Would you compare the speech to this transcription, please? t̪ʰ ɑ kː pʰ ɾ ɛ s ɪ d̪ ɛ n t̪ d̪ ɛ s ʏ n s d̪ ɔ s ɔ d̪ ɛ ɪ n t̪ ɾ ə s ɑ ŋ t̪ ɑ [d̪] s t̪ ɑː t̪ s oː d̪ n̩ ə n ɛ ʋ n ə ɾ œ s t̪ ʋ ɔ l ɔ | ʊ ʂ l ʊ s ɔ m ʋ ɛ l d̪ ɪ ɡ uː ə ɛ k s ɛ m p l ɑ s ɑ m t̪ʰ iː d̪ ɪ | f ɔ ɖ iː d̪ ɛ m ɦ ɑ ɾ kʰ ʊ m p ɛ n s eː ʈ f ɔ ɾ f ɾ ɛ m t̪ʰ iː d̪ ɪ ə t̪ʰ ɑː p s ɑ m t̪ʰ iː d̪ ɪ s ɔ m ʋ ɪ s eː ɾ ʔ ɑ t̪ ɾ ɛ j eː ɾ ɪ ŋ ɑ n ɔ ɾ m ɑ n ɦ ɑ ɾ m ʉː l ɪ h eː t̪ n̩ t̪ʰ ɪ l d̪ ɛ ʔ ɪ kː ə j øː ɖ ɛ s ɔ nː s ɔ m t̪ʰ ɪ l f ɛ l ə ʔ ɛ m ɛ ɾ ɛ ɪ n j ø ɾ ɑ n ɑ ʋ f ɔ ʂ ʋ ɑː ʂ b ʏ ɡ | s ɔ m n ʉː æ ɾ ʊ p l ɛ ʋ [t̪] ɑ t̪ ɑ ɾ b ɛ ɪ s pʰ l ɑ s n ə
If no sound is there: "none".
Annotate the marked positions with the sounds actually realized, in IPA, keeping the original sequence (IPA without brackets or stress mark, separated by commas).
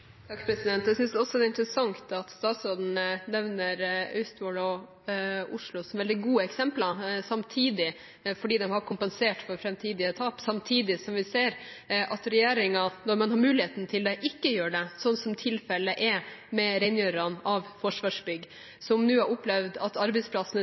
t̪, d̪